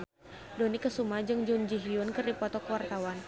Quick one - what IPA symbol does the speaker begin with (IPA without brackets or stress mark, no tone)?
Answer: d